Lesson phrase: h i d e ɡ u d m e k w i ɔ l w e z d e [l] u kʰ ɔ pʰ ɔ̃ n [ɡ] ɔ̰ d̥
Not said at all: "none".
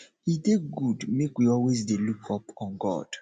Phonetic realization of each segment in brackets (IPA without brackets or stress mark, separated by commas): l, ɡ